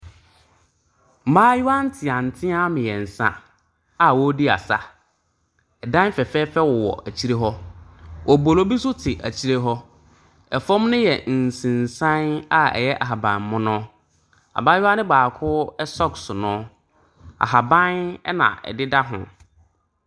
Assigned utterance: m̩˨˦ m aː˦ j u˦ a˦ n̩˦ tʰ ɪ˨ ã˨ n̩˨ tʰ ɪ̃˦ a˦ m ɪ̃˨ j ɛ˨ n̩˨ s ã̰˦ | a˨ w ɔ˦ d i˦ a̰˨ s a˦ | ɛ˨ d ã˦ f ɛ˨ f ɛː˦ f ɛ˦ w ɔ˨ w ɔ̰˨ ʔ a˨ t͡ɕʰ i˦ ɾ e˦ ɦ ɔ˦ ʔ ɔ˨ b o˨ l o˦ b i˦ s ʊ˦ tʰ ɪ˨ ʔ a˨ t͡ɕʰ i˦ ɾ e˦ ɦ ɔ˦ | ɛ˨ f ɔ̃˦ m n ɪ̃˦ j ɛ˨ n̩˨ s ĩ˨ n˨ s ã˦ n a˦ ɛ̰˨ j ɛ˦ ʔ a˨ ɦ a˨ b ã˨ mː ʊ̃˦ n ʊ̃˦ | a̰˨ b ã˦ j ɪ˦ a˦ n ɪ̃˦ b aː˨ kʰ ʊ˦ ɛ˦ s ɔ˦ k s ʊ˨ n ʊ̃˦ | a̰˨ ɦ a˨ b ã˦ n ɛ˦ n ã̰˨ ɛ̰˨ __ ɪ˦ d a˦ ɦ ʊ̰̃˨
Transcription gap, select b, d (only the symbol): d